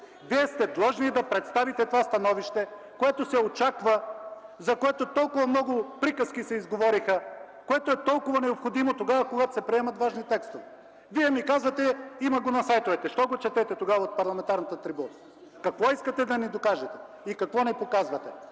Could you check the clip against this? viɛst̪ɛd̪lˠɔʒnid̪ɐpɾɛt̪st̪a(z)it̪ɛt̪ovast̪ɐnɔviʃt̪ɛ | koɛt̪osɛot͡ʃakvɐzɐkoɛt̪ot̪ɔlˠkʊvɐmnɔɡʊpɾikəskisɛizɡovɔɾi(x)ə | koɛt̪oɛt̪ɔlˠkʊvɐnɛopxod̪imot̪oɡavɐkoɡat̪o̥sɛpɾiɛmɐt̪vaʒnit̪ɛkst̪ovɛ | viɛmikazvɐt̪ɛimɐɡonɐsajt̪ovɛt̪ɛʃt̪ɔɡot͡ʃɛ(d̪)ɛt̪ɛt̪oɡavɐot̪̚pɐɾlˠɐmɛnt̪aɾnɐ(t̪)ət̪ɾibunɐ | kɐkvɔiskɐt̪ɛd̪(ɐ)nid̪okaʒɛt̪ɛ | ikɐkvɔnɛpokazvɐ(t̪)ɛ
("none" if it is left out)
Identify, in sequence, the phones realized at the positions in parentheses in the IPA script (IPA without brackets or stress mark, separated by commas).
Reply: v, x, t̪, t̪, ɐ, t̪